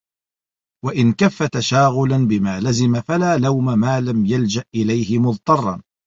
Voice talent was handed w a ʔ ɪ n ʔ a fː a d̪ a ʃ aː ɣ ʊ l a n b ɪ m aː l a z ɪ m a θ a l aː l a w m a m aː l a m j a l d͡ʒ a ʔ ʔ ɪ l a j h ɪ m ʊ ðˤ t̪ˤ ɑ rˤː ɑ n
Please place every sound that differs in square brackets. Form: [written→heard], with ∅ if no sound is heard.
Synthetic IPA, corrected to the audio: w a ʔ ɪ n [ʔ→k] a fː a [d̪→t̪] a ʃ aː ɣ ʊ l a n b ɪ m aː l a z ɪ m a [θ→f] a l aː l a w m a m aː l a m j a l d͡ʒ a ʔ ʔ ɪ l a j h ɪ m ʊ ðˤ t̪ˤ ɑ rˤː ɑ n